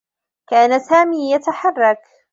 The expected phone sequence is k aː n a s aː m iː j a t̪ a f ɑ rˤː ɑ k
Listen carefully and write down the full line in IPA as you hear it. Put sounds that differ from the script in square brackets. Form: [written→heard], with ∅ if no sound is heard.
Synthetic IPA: k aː n a s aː m iː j a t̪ a [f→ħ] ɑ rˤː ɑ k